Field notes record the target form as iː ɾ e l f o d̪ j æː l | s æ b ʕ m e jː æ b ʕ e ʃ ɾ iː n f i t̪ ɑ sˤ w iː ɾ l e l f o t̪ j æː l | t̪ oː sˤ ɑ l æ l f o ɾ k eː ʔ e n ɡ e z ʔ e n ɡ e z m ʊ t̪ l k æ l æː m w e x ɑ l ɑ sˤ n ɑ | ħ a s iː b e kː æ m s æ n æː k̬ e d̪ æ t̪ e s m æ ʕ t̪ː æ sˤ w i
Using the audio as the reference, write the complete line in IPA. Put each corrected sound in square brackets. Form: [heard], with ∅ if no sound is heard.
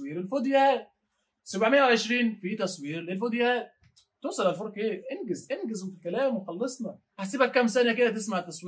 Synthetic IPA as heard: iː ɾ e l f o d̪ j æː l | s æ b ʕ m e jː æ [w] ʕ e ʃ ɾ iː n f i t̪ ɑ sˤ w iː ɾ l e l f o [d̪] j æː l | t̪ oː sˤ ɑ l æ l f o ɾ k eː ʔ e n ɡ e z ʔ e n ɡ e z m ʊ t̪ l k æ l æː m w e x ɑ [lː] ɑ sˤ n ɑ | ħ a s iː b [æ] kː æ m s æ n [æ] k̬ e d̪ æ t̪ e s m [a] ʕ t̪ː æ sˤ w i